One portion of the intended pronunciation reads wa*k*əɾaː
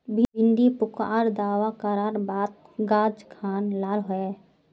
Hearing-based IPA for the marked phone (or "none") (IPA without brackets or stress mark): k